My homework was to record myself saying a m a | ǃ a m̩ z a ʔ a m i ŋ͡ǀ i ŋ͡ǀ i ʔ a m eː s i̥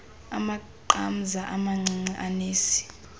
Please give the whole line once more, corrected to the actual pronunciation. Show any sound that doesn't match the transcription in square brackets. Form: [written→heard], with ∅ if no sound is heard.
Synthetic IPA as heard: a m a | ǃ a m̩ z a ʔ a m [i→a] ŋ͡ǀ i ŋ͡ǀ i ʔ a [m→n] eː s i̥